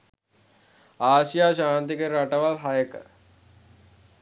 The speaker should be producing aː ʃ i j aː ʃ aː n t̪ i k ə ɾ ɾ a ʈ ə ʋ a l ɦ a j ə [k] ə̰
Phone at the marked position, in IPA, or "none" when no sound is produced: k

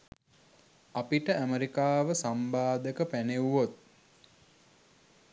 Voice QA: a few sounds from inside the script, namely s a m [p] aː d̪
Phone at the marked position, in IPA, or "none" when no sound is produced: b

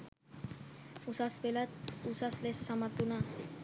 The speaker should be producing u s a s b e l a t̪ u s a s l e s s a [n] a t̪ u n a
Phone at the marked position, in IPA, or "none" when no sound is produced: m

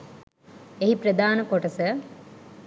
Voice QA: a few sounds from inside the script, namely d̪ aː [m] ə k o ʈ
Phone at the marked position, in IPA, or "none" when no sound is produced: n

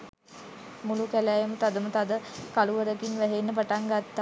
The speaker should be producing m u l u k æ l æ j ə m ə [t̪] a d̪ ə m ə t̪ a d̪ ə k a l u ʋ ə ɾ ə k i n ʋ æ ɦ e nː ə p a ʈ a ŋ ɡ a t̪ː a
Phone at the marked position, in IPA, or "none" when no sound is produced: t̪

